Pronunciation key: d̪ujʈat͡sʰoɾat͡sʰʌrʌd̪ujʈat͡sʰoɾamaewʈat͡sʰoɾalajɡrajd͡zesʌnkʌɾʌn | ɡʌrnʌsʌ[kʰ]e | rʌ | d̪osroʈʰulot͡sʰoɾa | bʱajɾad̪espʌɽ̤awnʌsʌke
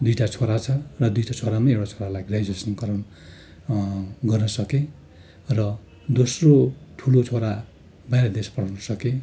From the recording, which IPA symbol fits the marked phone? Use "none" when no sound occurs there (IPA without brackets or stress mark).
k